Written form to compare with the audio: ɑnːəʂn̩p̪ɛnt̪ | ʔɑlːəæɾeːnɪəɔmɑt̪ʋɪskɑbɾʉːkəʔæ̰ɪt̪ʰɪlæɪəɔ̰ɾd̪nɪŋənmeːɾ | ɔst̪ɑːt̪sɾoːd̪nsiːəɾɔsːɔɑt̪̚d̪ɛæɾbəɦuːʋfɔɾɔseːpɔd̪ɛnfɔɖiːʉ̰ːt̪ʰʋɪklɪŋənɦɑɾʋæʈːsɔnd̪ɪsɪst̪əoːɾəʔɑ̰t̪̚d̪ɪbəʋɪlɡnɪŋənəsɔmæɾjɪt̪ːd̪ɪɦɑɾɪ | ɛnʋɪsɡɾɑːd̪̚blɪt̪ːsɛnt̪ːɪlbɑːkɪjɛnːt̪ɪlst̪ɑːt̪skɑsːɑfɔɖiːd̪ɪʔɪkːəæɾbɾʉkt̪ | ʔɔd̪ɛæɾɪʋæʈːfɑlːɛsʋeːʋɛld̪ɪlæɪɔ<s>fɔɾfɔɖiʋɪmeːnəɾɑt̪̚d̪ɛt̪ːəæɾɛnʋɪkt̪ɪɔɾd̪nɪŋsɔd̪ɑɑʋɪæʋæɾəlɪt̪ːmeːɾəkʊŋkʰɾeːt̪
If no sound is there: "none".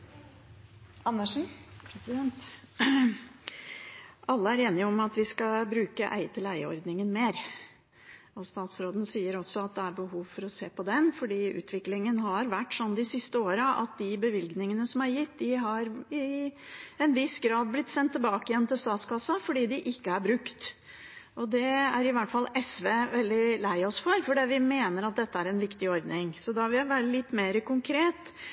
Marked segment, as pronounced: s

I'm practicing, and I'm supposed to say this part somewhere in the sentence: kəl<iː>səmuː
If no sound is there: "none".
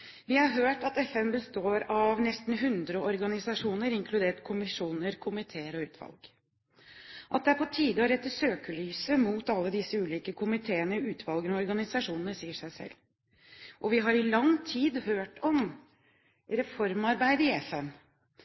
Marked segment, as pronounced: yː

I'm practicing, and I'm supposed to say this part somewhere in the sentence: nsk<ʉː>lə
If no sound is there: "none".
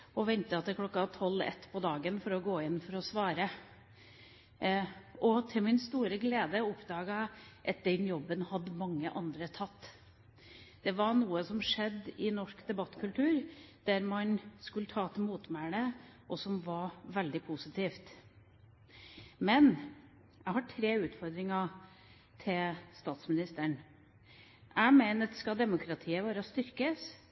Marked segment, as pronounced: ʉ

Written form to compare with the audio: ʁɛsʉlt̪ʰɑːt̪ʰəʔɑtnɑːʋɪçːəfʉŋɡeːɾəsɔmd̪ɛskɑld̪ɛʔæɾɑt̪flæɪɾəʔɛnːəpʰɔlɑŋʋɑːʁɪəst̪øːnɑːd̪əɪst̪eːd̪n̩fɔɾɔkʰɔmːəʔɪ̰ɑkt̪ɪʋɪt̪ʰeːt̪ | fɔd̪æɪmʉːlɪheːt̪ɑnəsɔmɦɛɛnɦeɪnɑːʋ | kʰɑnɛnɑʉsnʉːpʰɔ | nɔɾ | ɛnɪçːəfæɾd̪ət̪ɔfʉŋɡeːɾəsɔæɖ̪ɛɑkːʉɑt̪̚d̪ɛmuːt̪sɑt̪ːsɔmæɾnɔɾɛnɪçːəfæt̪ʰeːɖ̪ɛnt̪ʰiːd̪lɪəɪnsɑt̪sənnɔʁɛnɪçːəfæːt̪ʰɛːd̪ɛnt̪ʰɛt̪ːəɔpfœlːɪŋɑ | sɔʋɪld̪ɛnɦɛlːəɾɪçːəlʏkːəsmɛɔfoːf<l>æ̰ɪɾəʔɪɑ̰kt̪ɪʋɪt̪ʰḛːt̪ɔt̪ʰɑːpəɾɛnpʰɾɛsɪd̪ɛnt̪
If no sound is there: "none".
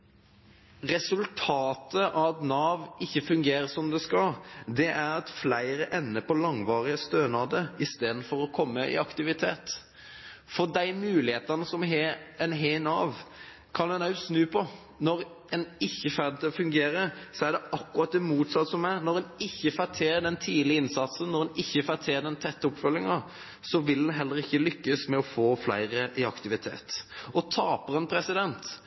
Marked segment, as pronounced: l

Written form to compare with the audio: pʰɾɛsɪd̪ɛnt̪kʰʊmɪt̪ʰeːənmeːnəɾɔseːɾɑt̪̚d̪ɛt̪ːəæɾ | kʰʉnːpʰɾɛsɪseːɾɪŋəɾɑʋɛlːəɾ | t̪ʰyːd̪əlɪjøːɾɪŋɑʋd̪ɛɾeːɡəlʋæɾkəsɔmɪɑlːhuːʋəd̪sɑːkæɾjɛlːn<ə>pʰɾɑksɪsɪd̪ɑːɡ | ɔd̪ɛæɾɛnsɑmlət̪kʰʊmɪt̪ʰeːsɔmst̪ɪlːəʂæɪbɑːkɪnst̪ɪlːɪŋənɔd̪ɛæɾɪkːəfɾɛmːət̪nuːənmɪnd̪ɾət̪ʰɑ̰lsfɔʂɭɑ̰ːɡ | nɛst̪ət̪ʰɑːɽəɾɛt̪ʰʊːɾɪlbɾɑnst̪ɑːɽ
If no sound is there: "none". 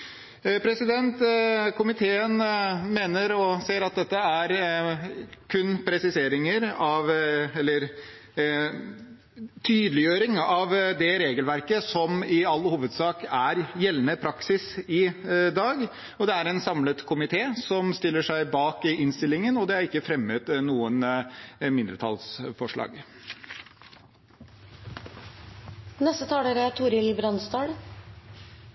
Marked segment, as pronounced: ə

